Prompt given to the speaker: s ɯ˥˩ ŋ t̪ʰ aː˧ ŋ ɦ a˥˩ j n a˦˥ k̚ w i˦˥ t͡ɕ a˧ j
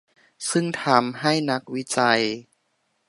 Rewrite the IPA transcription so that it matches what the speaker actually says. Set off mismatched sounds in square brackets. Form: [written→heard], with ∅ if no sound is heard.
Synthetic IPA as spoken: s ɯ˥˩ ŋ t̪ʰ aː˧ [ŋ→m] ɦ a˥˩ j n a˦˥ k̚ w i˦˥ t͡ɕ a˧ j